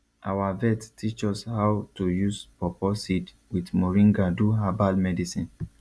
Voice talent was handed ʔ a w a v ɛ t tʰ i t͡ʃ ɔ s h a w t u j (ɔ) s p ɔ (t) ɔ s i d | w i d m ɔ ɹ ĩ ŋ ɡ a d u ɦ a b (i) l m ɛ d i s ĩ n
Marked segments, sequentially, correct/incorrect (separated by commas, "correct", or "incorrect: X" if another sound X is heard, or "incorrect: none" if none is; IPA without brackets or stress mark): incorrect: u, incorrect: p, incorrect: a